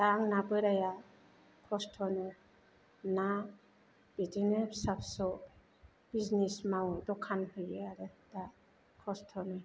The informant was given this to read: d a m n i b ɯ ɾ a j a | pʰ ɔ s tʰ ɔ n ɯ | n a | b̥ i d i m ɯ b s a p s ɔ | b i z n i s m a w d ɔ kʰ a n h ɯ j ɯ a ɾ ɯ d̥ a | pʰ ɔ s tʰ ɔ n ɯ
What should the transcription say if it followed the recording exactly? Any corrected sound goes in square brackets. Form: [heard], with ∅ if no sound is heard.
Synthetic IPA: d a [ŋ] n [a] b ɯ ɾ a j a | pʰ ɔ s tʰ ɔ n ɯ | n a | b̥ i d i [n] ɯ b s a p s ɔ | b i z n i s m a w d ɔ kʰ a n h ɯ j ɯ a ɾ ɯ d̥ a | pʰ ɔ s tʰ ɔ n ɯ